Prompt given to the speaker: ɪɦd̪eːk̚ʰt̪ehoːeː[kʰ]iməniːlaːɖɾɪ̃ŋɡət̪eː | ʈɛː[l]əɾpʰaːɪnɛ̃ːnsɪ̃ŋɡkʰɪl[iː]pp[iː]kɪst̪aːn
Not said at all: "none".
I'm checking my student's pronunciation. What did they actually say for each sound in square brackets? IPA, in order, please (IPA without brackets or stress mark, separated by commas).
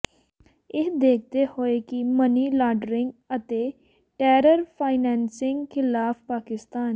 k, ɾ, aː, aː